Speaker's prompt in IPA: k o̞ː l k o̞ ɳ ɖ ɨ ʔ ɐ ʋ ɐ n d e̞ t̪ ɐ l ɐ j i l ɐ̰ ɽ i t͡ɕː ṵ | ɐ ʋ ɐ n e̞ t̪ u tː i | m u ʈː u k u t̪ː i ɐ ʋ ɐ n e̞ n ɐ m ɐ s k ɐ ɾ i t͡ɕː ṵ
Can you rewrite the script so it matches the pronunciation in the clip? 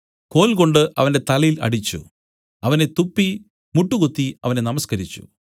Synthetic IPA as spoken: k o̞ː l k o̞ ɳ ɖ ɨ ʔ ɐ ʋ ɐ n d e̞ t̪ ɐ l ɐ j i l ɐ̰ ɽ i t͡ɕː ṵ | ɐ ʋ ɐ n e̞ t̪ u pː i | m u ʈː u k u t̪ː i ɐ ʋ ɐ n e̞ n ɐ m ɐ s k ɐ ɾ i t͡ɕː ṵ